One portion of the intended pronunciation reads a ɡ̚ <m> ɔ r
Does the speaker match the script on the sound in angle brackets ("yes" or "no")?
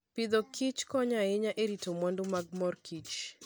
yes